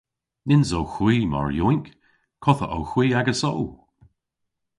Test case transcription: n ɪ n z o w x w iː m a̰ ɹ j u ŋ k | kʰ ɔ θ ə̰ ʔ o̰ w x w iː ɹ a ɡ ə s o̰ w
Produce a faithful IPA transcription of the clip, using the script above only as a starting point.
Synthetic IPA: n ɪ n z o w x w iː m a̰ ɹ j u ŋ k | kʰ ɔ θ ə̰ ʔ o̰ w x w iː a ɡ ə s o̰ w